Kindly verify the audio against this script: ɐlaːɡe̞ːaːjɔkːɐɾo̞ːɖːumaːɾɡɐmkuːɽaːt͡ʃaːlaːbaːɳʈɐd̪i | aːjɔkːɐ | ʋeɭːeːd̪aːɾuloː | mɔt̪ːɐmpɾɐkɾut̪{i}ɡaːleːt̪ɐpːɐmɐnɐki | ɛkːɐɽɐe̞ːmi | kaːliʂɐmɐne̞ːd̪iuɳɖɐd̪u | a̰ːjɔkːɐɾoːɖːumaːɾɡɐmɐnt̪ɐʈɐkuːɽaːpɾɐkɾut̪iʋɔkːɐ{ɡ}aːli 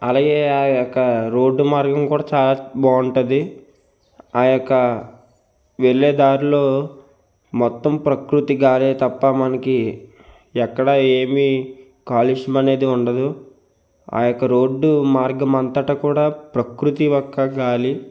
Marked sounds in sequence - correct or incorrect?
correct, correct

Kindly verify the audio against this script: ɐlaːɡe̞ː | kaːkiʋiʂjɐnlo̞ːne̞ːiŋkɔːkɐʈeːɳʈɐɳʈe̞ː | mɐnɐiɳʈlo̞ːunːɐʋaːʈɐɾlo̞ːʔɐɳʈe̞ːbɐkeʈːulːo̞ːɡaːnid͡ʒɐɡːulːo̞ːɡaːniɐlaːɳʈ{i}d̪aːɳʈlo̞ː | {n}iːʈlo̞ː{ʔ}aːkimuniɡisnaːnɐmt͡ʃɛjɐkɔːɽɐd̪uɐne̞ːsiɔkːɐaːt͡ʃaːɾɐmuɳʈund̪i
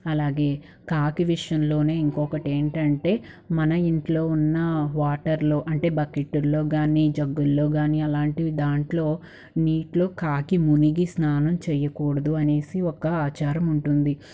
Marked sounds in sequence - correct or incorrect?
correct, correct, incorrect: k

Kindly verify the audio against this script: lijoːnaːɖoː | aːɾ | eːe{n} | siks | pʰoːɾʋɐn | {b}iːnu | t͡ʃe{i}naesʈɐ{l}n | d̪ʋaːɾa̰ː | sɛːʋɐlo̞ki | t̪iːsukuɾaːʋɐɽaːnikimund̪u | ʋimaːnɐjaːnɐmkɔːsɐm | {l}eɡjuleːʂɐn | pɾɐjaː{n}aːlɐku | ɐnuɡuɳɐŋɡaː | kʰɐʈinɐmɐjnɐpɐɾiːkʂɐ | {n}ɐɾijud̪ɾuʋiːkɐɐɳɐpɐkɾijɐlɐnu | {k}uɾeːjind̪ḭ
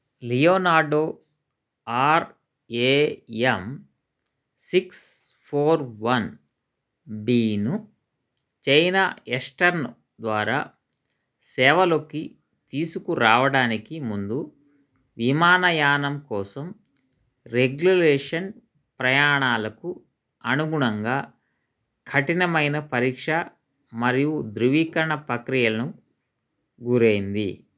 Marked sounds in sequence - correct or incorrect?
incorrect: m, correct, incorrect: j, incorrect: ɾ, incorrect: ɾ, incorrect: ɳ, incorrect: m, incorrect: ɡ

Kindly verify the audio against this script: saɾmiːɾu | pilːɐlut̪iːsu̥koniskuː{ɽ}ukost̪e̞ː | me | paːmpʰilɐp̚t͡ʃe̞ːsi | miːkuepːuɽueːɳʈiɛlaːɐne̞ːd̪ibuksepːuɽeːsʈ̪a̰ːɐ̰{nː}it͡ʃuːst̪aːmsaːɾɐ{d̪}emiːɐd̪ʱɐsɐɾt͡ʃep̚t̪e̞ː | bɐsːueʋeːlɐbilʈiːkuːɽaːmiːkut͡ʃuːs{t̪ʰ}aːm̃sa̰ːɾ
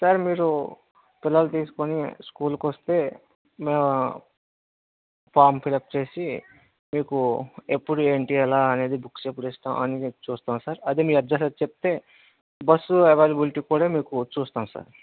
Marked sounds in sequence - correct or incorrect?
incorrect: l, incorrect: n, correct, incorrect: t̪

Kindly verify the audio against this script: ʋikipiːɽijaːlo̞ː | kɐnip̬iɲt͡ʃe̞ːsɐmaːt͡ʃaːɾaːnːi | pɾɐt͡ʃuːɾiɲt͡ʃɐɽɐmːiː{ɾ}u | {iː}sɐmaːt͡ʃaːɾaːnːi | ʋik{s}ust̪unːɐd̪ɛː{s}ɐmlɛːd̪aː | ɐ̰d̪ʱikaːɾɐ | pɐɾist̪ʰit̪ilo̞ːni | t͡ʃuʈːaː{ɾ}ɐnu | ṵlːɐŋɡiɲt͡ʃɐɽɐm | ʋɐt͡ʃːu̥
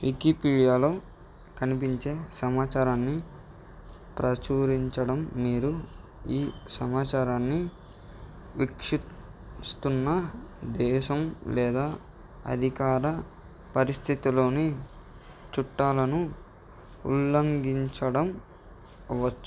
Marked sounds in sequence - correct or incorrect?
correct, correct, incorrect: ʂ, incorrect: ʃ, incorrect: l

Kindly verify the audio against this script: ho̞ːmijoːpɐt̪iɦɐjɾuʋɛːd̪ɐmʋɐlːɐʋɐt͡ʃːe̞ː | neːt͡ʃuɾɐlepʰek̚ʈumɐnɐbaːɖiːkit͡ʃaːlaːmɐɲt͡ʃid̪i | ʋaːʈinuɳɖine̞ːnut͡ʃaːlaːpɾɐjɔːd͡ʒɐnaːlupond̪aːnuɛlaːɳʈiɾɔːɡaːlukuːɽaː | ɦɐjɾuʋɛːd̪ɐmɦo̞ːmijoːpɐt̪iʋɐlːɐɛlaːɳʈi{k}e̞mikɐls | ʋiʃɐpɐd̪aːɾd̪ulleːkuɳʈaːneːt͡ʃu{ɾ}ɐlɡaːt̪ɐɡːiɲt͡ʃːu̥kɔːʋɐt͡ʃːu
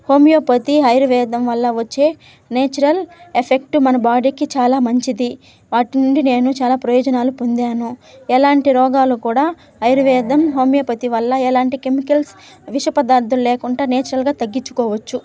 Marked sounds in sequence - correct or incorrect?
correct, correct

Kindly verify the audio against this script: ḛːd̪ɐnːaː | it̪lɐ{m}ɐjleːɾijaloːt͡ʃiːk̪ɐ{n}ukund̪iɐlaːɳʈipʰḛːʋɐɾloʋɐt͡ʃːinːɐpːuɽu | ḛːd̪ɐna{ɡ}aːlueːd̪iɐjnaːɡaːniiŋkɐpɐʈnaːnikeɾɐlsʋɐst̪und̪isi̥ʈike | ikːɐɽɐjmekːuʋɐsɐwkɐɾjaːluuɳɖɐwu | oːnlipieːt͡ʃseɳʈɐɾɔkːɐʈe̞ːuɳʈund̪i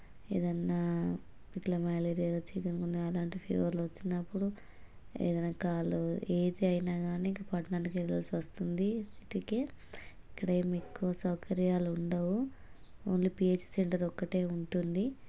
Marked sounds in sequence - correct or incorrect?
correct, correct, incorrect: k

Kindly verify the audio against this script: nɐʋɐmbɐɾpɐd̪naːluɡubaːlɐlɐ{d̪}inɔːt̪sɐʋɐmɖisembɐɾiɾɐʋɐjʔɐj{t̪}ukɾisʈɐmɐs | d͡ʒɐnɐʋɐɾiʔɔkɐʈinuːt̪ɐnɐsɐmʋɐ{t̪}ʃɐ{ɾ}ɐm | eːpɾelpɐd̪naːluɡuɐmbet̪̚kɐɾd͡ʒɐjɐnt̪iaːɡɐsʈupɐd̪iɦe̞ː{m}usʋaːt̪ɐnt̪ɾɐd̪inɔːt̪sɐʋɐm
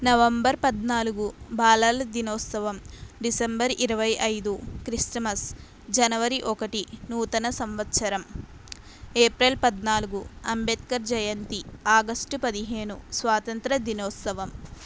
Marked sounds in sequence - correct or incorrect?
correct, incorrect: d̪, correct, correct, incorrect: n

